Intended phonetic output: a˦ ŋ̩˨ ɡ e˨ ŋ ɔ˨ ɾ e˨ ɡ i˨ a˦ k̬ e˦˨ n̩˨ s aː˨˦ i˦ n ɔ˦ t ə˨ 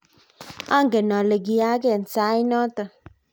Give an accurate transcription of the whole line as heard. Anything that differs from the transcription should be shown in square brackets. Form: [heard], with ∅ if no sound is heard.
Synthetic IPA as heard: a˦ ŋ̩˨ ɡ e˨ [n] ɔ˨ [l] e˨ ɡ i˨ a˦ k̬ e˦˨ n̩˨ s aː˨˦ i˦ n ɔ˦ t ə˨